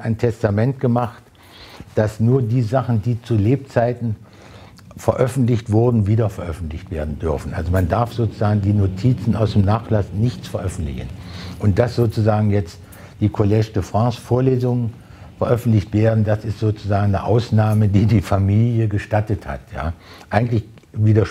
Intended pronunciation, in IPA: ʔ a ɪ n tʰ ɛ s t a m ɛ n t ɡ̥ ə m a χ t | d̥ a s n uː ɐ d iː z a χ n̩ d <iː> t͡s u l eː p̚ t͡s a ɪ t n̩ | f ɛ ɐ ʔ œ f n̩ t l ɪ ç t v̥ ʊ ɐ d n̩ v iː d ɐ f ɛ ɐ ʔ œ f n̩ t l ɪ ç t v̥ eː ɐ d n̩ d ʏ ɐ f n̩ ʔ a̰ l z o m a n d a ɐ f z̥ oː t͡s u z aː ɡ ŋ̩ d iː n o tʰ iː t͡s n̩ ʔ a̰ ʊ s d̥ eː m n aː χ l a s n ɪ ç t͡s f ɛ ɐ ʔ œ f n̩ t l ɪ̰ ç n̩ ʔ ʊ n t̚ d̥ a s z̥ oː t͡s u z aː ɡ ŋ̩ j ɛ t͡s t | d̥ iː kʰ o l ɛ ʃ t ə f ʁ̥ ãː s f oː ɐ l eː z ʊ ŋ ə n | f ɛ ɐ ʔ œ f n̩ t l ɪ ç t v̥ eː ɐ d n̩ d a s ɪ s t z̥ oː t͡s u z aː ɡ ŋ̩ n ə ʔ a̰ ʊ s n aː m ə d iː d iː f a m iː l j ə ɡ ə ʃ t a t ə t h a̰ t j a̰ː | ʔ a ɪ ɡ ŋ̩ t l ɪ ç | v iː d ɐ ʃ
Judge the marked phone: correct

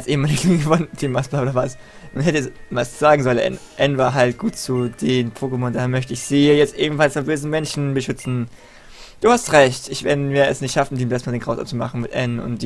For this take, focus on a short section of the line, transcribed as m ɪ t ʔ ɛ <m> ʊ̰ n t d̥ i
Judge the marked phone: incorrect: n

